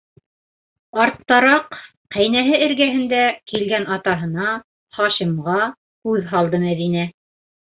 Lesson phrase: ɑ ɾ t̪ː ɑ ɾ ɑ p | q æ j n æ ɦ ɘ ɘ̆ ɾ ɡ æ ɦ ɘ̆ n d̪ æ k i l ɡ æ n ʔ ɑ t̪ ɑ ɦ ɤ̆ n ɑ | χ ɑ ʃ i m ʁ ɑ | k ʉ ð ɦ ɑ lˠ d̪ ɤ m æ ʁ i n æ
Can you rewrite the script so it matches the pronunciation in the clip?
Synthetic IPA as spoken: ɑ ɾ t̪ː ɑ ɾ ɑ q | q æ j n æ ɦ ɘ ɘ̆ ɾ ɡ æ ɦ ɘ̆ n d̪ æ k i l ɡ æ n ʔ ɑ t̪ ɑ ɦ ɤ̆ n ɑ | χ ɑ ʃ i m ʁ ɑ | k ʉ ð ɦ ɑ lˠ d̪ ɤ m æ ð i n æ